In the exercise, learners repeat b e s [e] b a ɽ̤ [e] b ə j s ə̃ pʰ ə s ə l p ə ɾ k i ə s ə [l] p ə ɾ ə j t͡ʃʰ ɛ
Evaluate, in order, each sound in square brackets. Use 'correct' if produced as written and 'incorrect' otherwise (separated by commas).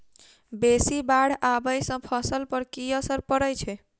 incorrect, incorrect, incorrect